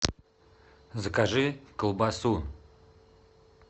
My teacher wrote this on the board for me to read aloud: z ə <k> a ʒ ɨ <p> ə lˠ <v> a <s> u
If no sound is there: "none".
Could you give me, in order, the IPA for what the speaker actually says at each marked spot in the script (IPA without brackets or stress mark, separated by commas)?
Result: k, k, b, s